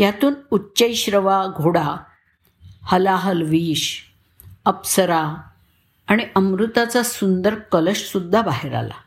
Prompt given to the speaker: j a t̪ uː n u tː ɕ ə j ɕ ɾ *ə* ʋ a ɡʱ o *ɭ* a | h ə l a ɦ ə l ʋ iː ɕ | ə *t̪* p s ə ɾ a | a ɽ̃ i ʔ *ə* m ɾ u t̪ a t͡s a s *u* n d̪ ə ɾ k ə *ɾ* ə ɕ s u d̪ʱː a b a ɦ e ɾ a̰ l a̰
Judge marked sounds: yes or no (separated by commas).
yes, no, no, yes, yes, no